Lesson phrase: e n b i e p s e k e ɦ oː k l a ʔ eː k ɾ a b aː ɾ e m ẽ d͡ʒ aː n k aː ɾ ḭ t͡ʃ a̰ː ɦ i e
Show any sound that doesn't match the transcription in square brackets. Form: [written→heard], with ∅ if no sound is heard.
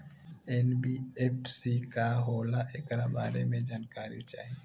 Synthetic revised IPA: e n b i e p s [e→i] k [e→a] ɦ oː [k→∅] l a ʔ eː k ɾ a b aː ɾ e m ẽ d͡ʒ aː n k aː ɾ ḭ t͡ʃ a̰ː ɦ i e